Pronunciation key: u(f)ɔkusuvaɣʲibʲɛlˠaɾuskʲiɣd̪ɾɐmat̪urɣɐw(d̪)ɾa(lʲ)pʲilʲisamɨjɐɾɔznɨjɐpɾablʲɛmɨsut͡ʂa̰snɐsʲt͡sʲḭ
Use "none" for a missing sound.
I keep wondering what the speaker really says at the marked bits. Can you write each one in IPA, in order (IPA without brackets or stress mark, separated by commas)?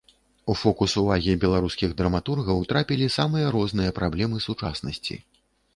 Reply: f, t̪, none